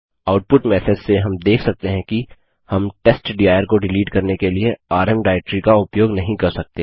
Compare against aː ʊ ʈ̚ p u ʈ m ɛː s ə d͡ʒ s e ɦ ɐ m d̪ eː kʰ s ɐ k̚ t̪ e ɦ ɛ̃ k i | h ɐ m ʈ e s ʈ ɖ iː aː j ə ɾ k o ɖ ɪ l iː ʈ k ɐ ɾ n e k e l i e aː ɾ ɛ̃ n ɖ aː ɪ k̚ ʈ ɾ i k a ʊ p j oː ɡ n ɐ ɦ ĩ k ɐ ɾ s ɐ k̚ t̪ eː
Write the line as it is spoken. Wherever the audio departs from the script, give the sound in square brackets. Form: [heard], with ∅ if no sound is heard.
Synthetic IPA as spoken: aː ʊ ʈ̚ p [ʊ] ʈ m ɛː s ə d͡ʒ s e ɦ ɐ m d̪ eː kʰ s ɐ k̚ t̪ e ɦ ɛ̃ k i | h ɐ m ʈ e s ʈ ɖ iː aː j ə ɾ k o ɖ ɪ l iː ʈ k ɐ ɾ n e k e l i e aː ɾ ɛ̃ [m] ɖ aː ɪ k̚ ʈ ɾ i k a ʊ p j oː ɡ n ɐ ɦ ĩ k ɐ ɾ s ɐ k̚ t̪ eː

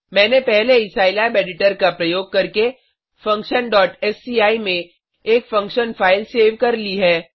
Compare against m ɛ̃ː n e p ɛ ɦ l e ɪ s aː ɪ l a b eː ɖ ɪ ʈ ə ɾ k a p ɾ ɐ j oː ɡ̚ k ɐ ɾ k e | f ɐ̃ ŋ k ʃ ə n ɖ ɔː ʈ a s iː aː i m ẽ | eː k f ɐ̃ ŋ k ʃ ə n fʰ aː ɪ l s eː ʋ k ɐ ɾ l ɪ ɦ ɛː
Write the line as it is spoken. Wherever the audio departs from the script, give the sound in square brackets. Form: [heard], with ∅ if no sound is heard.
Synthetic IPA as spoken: m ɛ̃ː n e p ɛ ɦ l e ɪ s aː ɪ l a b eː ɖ ɪ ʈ ə ɾ k a p ɾ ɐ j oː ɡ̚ k ɐ ɾ k e | f ɐ̃ ŋ k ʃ ə n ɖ ɔː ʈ [ɛ] s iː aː i m ẽ | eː k f ɐ̃ ŋ k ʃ ə n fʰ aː ɪ l s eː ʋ k ɐ ɾ l [i] ɦ ɛː

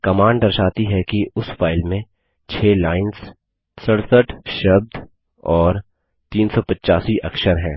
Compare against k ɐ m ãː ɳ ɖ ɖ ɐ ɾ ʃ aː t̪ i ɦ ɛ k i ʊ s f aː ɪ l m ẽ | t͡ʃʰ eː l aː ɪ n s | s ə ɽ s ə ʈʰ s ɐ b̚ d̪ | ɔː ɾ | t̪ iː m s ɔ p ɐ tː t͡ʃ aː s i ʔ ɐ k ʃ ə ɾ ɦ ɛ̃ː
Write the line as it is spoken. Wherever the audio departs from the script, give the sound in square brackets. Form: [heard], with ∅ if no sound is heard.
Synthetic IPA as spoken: k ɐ m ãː ɳ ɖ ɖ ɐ ɾ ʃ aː t̪ i ɦ ɛ k i ʊ s f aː ɪ l m ẽ | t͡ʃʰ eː l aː ɪ n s | s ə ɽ s ə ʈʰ [ʃ] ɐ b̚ d̪ | ɔː ɾ | t̪ iː [n] s ɔ p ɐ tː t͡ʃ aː s i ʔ ɐ k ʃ ə ɾ ɦ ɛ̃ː

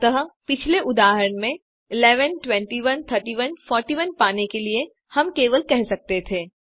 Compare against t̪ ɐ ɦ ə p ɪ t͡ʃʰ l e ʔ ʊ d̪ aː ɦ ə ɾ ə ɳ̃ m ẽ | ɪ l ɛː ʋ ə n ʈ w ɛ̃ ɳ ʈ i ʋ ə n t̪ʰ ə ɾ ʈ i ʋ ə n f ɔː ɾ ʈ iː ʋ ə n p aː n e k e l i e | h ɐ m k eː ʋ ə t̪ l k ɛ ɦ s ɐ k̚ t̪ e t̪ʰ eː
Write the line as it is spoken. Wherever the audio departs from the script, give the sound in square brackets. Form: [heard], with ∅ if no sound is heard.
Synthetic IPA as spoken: t̪ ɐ ɦ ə p ɪ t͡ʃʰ l e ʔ ʊ d̪ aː ɦ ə ɾ ə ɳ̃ m ẽ | ɪ l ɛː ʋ ə n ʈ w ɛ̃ ɳ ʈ i ʋ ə n t̪ʰ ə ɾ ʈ i ʋ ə n f ɔː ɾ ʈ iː ʋ ə n p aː n e k e l i e | h ɐ m k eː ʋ ə [∅] l k ɛ ɦ s ɐ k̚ t̪ e t̪ʰ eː

